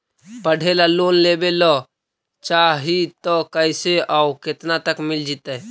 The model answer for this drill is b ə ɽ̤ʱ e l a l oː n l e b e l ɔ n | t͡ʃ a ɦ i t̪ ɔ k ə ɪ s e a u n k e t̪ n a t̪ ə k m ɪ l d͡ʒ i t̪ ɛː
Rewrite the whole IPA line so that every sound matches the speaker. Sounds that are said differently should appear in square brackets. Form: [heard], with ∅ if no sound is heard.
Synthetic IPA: [p] ə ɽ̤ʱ e l a l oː n l e b e l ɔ [∅] | t͡ʃ a ɦ i t̪ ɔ k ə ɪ s e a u [∅] k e t̪ n a t̪ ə k m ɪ l d͡ʒ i t̪ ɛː